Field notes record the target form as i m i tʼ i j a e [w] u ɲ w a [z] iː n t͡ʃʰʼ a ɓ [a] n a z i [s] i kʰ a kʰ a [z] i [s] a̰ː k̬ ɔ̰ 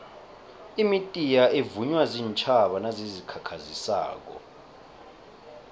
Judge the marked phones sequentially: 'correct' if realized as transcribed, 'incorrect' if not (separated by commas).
incorrect, correct, correct, incorrect, correct, correct